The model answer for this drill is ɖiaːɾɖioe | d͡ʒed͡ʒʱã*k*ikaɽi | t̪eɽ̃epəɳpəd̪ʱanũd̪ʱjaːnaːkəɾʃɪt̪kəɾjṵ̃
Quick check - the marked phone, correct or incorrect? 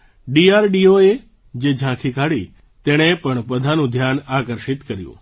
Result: incorrect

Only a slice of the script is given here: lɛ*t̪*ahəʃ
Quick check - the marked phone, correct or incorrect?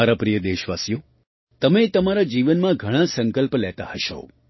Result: correct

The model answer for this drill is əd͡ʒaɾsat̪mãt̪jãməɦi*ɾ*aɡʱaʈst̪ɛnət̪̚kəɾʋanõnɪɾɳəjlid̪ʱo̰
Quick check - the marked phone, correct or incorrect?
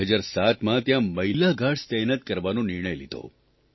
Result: incorrect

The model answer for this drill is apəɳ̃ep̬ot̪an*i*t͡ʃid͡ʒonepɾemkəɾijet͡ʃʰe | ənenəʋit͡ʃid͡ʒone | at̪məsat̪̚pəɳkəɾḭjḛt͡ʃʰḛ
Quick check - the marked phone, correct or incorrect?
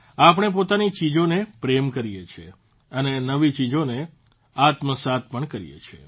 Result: correct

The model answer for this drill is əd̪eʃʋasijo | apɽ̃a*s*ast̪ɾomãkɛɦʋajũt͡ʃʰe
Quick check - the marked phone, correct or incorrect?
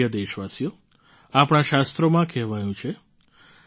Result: incorrect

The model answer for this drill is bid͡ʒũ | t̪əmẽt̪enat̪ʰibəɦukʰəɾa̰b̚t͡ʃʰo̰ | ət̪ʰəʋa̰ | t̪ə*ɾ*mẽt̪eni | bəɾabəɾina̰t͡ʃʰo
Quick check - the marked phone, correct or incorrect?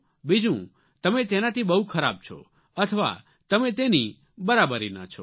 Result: incorrect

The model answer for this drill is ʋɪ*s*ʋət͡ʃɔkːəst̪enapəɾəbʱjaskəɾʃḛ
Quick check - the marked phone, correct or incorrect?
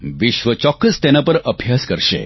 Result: incorrect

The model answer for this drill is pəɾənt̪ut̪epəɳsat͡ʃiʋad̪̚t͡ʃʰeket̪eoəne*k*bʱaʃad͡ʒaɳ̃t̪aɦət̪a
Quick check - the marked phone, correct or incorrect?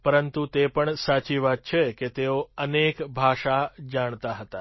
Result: correct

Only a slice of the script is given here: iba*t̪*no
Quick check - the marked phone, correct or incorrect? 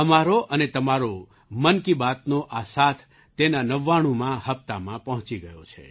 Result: correct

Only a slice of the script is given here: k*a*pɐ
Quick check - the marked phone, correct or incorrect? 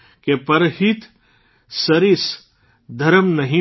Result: incorrect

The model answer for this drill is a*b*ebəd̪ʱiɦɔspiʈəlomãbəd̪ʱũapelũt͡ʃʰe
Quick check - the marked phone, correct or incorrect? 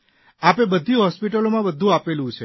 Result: incorrect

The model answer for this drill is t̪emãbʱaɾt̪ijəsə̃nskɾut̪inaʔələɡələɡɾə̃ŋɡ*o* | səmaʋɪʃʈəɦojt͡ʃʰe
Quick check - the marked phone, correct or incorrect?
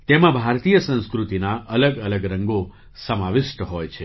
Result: correct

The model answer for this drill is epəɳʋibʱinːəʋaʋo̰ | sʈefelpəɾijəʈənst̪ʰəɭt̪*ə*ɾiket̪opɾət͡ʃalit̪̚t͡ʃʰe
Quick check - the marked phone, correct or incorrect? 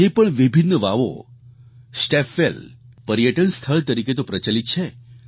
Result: correct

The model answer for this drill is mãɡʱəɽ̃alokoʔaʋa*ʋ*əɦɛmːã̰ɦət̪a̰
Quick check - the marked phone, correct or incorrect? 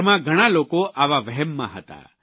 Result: correct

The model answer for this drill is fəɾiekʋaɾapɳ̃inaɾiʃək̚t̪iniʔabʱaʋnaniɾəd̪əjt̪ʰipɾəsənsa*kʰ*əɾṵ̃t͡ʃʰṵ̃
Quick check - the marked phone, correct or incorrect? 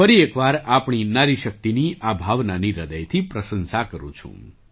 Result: incorrect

